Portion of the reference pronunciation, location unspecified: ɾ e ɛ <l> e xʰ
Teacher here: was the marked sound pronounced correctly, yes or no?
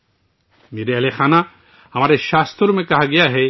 yes